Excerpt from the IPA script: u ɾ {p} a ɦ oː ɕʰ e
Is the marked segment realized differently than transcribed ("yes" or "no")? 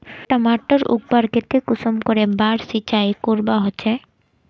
yes